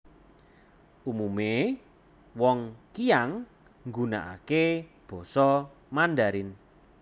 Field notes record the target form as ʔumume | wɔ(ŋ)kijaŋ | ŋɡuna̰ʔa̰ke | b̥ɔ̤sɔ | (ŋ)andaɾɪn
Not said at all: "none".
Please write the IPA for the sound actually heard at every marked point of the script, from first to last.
ŋ, m

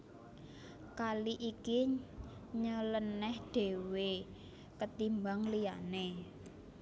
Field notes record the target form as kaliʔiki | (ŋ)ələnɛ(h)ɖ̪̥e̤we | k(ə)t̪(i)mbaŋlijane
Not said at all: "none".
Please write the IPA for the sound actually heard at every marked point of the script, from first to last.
ɲ, h, ə, i

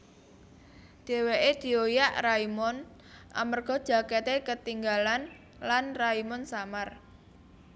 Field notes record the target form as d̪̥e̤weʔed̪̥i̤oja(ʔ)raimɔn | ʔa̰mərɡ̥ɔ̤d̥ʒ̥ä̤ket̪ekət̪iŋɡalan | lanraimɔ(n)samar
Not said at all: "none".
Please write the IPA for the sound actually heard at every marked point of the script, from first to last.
ʔ, n

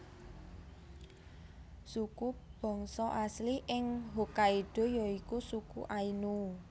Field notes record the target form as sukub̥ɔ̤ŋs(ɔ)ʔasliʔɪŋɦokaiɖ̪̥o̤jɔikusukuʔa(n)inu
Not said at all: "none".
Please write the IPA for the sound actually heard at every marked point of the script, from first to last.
ɔ, none

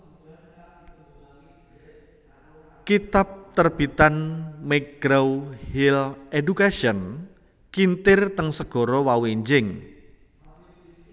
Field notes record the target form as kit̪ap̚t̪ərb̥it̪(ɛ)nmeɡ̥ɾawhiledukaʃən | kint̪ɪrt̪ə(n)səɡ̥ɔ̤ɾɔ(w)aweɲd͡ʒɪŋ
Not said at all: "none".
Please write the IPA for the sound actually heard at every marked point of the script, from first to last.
a, ŋ, w

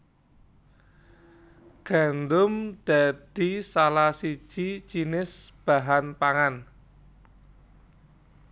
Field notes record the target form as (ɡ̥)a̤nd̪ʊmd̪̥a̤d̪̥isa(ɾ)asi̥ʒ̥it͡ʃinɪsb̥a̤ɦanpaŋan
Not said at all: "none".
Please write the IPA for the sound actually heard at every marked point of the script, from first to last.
ɡ̥, l

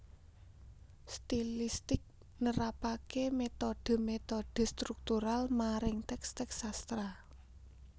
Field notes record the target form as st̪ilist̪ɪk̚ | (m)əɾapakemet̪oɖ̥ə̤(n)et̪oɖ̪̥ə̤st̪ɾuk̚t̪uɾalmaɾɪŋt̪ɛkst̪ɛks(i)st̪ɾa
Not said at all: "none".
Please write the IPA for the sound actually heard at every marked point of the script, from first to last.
n, m, a

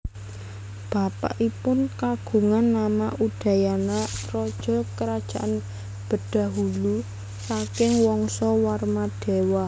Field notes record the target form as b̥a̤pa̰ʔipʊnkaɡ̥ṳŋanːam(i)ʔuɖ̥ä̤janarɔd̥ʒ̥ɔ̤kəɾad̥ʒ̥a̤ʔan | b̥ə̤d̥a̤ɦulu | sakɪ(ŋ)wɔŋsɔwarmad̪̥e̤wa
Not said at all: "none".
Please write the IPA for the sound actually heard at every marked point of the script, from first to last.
a, ŋ

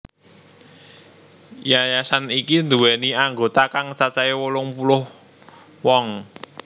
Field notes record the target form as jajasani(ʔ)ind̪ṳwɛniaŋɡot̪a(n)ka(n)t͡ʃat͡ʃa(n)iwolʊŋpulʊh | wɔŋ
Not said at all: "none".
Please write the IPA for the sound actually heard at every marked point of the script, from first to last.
k, none, ŋ, none

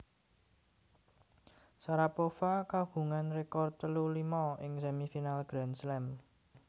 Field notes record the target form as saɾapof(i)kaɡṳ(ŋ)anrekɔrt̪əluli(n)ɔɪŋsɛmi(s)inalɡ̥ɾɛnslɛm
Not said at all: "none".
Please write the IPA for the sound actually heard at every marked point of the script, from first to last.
a, ŋ, m, f

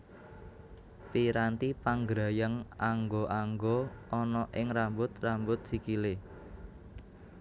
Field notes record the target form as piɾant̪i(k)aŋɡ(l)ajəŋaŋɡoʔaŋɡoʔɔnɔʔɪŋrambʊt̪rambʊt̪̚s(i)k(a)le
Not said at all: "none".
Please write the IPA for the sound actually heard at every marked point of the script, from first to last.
p, ɾ, i, i

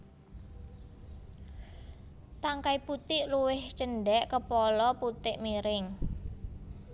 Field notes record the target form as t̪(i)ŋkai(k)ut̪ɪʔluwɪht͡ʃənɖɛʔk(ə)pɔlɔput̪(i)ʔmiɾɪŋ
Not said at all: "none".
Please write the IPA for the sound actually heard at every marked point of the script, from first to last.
a, p, ə, ɪ

